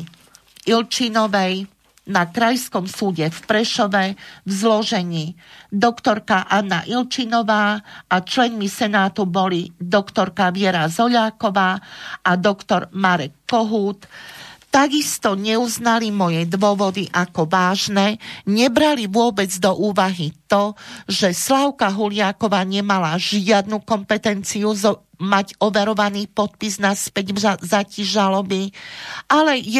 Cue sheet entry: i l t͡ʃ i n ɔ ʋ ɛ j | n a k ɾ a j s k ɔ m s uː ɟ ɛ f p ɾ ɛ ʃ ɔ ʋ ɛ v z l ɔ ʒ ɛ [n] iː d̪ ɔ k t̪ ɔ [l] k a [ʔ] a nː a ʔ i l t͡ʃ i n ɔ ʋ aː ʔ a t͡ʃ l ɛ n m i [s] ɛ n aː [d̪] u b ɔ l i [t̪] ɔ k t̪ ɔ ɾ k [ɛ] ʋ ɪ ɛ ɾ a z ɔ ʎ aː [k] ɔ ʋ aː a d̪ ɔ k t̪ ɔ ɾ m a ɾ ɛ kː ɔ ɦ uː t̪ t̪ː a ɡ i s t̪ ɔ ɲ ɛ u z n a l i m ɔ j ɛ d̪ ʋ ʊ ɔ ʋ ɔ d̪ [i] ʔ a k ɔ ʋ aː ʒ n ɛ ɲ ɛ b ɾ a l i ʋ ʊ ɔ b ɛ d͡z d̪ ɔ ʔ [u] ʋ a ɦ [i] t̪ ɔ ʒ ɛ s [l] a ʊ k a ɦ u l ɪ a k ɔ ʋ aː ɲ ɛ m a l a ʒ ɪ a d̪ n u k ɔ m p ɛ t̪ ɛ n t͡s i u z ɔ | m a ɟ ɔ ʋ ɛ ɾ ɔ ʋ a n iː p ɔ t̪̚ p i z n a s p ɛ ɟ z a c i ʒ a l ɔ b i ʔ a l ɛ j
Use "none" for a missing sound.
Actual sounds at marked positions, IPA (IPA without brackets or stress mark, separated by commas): ɲ, ɾ, ʔ, s, t̪, d̪, a, k, i, uː, i, l